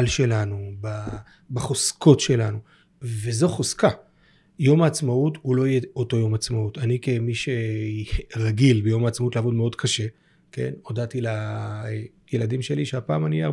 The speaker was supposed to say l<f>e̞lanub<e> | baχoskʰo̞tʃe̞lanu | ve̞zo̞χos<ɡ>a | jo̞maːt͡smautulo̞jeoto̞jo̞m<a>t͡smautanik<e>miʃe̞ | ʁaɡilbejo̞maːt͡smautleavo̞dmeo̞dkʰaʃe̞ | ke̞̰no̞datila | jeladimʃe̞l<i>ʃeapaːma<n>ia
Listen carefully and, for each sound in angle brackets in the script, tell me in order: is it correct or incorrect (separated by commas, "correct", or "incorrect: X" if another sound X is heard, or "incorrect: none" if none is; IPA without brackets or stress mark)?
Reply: incorrect: ʃ, incorrect: a, incorrect: k, correct, correct, correct, correct